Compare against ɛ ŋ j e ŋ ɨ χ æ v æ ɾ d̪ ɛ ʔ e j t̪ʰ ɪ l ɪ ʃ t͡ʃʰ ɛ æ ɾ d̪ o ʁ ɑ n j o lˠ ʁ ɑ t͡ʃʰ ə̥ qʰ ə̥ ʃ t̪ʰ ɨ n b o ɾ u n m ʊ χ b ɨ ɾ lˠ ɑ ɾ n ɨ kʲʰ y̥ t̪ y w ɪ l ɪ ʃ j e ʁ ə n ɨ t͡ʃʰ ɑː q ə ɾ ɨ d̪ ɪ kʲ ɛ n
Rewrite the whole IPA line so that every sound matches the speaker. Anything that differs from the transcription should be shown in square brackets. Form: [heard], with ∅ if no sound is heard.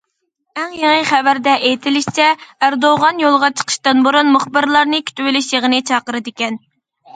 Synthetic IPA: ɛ ŋ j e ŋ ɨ χ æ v æ ɾ d̪ ɛ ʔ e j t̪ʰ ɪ l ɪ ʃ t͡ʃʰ ɛ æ ɾ d̪ o ʁ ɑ n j o lˠ ʁ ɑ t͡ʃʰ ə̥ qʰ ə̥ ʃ [t̪] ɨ n b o ɾ u n m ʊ χ b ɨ ɾ lˠ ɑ ɾ n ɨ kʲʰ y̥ t̪ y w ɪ l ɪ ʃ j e ʁ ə n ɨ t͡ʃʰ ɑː q ə ɾ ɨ d̪ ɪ kʲ ɛ n